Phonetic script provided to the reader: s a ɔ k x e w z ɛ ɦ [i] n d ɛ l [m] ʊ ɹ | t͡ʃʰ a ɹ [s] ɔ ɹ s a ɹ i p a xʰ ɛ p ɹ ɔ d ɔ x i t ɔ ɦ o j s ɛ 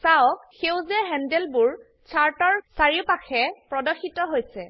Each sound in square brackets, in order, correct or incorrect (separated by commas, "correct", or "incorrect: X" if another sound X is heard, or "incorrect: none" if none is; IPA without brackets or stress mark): incorrect: ɛ, incorrect: b, incorrect: t